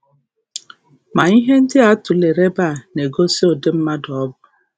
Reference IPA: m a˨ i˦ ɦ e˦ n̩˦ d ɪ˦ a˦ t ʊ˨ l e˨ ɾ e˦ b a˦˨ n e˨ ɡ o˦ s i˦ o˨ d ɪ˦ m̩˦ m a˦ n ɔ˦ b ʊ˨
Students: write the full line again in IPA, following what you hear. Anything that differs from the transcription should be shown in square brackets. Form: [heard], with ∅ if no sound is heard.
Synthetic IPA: m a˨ i˦ ɦ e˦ n̩˦ d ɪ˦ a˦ t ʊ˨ l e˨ ɾ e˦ b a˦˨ n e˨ ɡ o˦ s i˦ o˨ d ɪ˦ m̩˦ m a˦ [d] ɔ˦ b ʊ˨